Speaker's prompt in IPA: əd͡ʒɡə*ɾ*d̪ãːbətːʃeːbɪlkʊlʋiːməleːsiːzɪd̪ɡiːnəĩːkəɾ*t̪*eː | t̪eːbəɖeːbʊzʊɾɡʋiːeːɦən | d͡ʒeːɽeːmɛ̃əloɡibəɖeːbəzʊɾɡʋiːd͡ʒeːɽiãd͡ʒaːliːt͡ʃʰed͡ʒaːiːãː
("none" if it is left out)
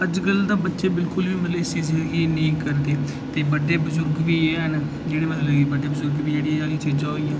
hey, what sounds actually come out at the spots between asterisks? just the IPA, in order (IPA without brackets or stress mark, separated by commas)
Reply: l, d̪